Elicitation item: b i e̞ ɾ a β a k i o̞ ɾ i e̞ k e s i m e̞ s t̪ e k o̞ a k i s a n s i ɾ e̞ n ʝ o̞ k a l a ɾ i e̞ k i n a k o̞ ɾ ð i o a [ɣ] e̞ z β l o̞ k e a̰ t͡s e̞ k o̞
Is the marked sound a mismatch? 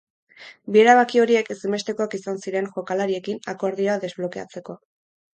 yes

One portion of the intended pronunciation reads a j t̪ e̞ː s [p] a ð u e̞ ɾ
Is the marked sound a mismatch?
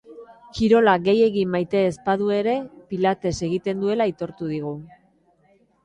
no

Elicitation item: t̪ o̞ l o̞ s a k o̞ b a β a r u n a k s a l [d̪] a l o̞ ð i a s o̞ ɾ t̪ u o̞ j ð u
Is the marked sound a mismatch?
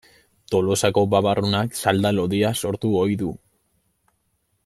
no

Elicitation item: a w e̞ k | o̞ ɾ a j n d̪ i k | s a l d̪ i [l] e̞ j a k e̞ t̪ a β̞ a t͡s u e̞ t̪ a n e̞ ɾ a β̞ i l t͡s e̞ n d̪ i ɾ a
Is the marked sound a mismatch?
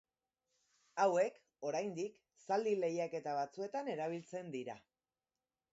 no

